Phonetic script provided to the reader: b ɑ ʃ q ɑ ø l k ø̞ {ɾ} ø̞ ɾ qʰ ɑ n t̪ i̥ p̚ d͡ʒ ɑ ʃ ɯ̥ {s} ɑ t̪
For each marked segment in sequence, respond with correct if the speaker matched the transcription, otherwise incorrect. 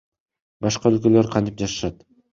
incorrect, incorrect

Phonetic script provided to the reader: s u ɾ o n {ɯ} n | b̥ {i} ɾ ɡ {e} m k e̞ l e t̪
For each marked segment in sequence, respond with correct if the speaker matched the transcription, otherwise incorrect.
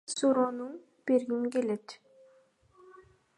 incorrect, incorrect, incorrect

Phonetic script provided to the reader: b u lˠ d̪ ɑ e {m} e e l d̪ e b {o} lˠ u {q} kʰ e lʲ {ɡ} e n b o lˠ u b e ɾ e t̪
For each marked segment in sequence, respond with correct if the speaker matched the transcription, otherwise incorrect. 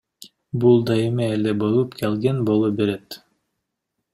correct, correct, incorrect, correct

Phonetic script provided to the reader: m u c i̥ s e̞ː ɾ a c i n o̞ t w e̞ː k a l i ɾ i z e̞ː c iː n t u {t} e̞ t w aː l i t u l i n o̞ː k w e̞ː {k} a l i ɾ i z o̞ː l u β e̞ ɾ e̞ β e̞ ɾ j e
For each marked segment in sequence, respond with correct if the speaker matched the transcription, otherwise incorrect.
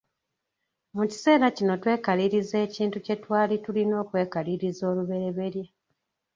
incorrect, correct

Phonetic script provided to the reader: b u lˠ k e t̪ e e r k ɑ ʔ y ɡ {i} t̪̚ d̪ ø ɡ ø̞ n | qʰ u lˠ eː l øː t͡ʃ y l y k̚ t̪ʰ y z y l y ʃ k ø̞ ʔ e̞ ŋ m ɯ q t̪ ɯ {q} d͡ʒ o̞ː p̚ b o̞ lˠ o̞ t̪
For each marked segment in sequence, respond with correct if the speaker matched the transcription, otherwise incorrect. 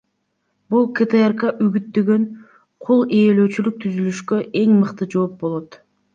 incorrect, incorrect

